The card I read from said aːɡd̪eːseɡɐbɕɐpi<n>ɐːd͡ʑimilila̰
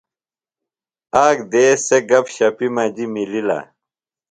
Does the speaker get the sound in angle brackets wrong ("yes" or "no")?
yes